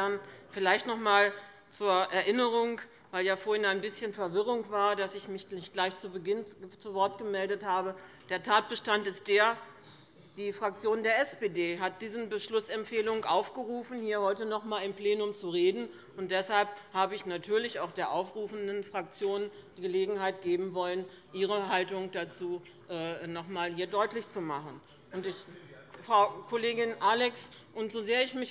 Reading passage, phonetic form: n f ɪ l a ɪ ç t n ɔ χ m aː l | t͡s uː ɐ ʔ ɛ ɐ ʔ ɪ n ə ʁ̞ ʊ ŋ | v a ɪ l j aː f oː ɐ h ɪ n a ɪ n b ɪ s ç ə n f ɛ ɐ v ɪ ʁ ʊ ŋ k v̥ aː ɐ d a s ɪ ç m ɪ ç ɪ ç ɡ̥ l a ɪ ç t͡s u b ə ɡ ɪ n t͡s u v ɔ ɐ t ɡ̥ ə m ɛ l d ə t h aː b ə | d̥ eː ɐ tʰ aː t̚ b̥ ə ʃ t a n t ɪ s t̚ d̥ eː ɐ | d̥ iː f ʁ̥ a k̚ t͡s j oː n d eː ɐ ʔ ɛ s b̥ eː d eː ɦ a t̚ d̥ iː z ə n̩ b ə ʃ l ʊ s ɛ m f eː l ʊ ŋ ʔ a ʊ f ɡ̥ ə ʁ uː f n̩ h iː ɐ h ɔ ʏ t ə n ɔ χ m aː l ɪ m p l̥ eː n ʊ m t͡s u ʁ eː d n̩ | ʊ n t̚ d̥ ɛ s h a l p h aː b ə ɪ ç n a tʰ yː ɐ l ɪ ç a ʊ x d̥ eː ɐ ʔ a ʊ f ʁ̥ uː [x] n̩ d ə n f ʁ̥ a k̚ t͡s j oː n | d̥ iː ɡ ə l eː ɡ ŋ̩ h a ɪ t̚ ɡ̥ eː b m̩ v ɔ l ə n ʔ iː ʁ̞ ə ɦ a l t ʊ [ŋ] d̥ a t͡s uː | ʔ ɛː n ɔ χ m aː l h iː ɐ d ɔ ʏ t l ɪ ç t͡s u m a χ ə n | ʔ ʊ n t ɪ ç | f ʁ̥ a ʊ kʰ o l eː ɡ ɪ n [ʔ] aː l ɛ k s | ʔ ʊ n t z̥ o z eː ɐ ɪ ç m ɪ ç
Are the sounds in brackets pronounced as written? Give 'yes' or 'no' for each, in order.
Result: no, yes, yes

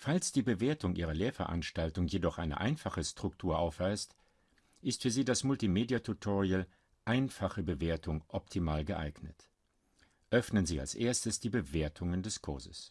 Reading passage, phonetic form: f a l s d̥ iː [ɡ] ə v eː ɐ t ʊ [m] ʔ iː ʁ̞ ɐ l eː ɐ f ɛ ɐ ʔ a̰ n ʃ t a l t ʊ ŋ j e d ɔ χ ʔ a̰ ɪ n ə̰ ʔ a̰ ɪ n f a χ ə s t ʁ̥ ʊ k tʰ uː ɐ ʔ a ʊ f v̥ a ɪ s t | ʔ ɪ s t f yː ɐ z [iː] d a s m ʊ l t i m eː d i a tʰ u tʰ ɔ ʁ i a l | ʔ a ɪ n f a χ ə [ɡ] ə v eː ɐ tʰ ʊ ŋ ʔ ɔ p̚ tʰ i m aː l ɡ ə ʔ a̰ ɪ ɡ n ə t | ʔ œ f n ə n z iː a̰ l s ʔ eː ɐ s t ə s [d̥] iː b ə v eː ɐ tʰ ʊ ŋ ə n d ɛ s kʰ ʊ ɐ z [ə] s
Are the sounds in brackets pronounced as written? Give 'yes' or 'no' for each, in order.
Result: no, no, yes, no, yes, yes

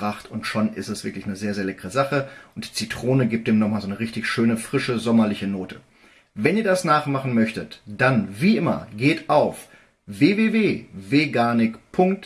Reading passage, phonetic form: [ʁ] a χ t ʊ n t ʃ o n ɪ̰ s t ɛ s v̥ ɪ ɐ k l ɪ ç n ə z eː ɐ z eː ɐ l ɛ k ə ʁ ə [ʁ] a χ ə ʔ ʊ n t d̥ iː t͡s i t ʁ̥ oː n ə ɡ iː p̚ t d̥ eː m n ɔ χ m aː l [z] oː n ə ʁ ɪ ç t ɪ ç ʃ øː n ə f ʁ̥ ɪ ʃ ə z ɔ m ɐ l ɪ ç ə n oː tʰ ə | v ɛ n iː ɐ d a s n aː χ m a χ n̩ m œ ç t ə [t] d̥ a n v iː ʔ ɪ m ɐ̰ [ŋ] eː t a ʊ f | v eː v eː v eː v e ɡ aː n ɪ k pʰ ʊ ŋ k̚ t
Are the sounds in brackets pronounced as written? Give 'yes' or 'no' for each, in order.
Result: yes, no, yes, yes, no

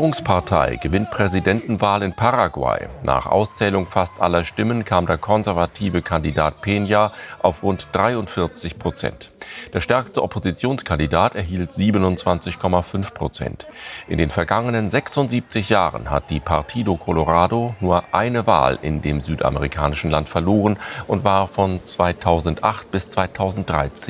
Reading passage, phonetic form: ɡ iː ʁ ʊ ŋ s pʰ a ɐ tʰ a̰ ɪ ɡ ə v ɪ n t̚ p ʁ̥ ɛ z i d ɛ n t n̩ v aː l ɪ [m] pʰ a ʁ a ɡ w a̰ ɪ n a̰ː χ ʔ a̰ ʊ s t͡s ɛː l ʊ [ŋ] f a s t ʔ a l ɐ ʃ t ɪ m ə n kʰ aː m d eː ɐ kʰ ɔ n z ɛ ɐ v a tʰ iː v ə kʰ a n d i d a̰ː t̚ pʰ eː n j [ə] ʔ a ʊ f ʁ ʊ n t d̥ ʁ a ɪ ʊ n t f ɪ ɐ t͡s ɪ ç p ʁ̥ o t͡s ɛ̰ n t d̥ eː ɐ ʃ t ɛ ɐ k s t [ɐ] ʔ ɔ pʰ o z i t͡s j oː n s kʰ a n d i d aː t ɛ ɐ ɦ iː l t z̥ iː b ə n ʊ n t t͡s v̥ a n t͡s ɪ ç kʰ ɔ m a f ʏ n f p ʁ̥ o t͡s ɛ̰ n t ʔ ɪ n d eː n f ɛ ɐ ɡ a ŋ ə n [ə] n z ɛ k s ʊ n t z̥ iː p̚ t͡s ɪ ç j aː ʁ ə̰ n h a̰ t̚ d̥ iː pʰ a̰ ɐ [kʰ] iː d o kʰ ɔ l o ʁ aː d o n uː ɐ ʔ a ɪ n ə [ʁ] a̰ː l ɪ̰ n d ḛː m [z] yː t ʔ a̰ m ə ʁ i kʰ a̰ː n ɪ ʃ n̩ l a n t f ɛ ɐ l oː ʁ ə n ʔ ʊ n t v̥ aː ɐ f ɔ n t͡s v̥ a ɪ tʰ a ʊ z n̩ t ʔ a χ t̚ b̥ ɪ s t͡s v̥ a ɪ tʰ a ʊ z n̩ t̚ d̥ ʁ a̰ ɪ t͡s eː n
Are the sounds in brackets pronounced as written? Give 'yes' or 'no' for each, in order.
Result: no, yes, no, no, yes, no, no, yes

